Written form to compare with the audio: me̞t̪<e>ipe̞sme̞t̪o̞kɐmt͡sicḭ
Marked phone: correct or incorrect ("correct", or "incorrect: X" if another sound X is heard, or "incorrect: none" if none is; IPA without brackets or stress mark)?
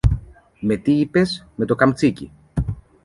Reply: incorrect: i